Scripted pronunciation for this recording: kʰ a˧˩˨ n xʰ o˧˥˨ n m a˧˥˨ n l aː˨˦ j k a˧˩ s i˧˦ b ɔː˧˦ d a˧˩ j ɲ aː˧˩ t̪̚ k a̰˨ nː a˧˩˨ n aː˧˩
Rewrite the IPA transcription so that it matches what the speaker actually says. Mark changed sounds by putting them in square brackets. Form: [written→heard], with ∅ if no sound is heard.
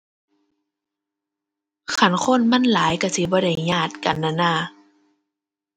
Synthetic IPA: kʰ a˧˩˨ n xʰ o˧˥˨ n m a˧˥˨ n l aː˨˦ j k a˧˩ s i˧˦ b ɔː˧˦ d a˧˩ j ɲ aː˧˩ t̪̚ k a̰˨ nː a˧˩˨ n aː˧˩

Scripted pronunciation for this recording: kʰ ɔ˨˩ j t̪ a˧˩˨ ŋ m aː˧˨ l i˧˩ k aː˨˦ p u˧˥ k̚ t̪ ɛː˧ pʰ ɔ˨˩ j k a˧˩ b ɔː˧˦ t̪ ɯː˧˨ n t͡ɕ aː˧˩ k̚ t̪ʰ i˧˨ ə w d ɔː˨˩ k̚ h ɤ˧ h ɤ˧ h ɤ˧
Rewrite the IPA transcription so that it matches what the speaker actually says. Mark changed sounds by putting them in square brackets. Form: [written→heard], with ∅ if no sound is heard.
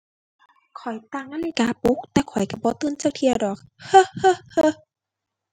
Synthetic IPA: kʰ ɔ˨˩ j t̪ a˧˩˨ ŋ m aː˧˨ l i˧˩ k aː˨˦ p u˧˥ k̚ t̪ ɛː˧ [pʰ→kʰ] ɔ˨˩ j k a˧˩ b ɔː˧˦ t̪ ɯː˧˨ n t͡ɕ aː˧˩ k̚ t̪ʰ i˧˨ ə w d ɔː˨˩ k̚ h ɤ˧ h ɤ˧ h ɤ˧

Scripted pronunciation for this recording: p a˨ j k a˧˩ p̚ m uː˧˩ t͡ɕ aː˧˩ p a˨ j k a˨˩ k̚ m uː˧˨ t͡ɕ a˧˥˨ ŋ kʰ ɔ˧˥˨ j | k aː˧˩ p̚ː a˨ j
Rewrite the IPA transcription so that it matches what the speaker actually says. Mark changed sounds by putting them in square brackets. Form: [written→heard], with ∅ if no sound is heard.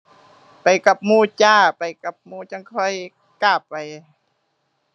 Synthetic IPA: p a˨ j k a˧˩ p̚ m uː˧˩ t͡ɕ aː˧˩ p a˨ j k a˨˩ [k̚→p̚] m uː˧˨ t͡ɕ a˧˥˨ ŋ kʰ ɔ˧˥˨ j | k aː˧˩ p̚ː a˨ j

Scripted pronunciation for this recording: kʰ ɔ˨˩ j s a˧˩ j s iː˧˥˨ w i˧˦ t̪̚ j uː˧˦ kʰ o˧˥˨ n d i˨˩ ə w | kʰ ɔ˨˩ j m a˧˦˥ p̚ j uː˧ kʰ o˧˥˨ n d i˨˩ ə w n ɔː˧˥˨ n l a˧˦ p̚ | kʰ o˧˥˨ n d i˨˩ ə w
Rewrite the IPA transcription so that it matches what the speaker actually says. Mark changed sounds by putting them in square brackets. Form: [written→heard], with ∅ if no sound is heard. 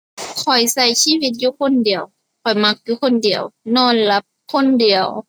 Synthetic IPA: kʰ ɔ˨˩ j s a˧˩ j s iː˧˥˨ w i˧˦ t̪̚ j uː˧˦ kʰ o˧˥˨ n d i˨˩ ə w | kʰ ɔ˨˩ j m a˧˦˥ [p̚→k̚] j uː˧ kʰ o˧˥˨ n d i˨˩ ə w n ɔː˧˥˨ n l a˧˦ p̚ | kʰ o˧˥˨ n d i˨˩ ə w

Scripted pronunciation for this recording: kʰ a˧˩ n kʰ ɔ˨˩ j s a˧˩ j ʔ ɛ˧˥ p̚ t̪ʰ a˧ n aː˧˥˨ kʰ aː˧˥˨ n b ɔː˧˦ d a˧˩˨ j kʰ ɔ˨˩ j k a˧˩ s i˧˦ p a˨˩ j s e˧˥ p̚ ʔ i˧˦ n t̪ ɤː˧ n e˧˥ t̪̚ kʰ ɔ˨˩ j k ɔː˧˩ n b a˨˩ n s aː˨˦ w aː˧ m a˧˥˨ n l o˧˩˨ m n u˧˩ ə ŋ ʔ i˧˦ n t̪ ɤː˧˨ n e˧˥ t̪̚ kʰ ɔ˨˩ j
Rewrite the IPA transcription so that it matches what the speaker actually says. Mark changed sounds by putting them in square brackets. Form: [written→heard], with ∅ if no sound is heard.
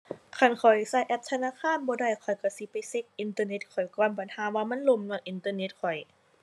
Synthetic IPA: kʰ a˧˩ n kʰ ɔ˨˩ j s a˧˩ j ʔ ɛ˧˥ p̚ t̪ʰ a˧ n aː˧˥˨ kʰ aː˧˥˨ n b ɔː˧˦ d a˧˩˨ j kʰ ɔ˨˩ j k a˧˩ s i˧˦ p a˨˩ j s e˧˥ [p̚→k̚] ʔ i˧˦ n t̪ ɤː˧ n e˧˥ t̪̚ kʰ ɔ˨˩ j k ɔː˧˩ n b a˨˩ n [s→h] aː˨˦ w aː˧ m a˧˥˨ n l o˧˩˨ m n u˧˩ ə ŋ ʔ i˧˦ n t̪ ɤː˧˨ n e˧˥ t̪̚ kʰ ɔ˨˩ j

